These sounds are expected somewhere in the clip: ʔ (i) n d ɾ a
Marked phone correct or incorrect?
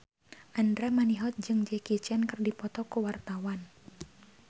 incorrect